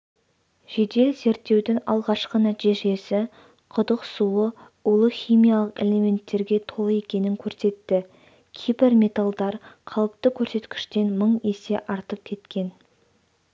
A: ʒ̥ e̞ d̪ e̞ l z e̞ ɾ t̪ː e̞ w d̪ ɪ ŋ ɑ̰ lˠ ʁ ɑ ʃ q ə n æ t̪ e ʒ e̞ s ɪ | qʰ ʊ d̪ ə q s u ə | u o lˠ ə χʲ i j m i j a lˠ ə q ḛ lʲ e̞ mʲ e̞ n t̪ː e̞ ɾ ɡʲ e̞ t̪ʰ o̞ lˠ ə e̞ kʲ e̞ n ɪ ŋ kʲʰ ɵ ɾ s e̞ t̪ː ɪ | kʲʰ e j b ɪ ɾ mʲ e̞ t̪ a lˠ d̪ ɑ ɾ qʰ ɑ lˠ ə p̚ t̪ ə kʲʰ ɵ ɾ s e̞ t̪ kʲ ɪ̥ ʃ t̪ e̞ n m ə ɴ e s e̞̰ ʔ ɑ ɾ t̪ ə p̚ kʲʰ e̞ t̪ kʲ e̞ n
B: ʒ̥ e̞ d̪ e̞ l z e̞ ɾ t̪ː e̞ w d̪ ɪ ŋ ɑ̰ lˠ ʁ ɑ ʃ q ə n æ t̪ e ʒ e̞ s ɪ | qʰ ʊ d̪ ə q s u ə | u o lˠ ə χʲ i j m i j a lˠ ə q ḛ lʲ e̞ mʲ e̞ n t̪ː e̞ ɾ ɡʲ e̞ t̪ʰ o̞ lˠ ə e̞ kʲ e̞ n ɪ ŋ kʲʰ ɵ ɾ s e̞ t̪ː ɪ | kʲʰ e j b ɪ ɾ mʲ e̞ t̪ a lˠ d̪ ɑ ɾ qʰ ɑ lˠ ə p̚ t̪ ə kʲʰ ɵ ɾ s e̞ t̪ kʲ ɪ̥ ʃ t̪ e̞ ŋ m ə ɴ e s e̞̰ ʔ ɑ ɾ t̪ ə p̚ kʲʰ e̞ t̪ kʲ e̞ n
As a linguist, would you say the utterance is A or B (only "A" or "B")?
A